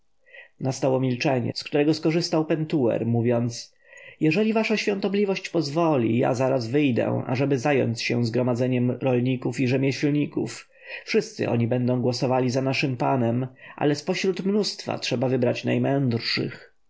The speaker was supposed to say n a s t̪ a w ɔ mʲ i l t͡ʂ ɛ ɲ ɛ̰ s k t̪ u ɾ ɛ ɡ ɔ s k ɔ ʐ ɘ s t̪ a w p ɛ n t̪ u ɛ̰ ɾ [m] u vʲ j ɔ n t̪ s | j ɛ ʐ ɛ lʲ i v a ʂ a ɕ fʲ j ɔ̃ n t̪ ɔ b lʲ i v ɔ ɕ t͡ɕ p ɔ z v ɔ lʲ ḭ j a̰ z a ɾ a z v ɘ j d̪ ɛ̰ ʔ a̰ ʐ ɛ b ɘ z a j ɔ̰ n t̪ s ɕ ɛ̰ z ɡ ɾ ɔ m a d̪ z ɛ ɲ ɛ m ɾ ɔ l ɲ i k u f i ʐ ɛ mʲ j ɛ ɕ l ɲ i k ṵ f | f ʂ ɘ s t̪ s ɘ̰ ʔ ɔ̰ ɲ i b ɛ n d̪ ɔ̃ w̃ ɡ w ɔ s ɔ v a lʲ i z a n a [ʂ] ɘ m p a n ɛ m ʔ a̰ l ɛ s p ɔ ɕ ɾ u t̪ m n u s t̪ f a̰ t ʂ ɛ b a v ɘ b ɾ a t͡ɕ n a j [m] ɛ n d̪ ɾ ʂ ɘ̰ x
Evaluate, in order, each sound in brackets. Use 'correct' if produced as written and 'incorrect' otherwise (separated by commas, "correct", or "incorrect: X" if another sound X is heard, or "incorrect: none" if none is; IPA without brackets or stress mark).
correct, correct, correct